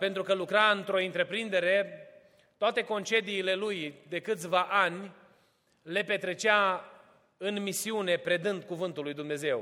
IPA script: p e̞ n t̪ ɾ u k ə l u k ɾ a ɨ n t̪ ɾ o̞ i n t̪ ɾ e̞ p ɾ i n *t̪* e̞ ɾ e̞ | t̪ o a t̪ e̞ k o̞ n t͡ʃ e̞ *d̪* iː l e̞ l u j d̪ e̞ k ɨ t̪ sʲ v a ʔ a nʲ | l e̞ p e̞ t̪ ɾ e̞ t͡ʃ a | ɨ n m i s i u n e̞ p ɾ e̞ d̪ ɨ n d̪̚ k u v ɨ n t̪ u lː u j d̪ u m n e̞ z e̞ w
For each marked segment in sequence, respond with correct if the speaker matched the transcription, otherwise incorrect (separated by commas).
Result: incorrect, correct